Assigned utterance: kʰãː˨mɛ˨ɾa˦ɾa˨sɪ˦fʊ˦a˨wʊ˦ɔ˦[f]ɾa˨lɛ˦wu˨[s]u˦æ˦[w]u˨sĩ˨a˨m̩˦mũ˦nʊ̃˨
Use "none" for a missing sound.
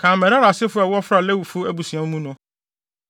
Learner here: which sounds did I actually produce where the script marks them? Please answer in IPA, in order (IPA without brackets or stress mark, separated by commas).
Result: f, f, b